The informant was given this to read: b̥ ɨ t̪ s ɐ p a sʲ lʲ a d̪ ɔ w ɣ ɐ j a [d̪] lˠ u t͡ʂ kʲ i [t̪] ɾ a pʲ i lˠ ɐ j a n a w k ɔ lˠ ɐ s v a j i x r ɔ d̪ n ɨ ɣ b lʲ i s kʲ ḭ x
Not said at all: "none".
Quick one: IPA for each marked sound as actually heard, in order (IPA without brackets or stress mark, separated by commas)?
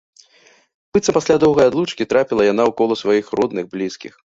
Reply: d̪, t̪